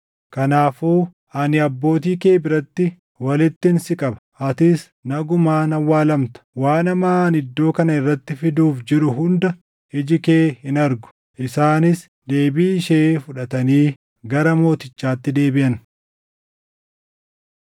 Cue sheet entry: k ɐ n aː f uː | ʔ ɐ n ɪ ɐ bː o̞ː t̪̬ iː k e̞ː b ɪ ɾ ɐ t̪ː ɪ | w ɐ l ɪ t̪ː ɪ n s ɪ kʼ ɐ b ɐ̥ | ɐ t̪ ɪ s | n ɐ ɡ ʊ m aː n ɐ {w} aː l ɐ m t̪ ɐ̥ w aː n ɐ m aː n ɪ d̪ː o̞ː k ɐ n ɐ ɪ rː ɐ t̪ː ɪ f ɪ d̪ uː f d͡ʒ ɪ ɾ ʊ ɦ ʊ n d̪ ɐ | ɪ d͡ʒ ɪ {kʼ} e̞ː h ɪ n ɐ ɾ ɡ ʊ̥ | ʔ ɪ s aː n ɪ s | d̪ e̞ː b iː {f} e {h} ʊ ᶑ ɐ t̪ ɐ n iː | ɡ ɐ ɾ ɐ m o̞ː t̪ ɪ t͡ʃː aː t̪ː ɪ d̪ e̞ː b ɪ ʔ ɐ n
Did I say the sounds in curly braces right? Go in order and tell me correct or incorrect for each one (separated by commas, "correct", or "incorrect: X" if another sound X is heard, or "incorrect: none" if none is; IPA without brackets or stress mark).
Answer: incorrect: wː, incorrect: k, incorrect: ʃ, incorrect: f